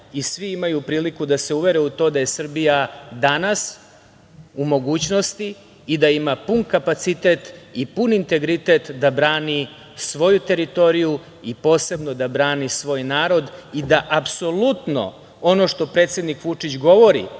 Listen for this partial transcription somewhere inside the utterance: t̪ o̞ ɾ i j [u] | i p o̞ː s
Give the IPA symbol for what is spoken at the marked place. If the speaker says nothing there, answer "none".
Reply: u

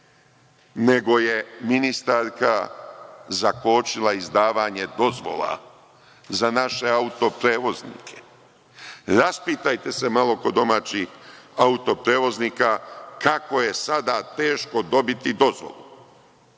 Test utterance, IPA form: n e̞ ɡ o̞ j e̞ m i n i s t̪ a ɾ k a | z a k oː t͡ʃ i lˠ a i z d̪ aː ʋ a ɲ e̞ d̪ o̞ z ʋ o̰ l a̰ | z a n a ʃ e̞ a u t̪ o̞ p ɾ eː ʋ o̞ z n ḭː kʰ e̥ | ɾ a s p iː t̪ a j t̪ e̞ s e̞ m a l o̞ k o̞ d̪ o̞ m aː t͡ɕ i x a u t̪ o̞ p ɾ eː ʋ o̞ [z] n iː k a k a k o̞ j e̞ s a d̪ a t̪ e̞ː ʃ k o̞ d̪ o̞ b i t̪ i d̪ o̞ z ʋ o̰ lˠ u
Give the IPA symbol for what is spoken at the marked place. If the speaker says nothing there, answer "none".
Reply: z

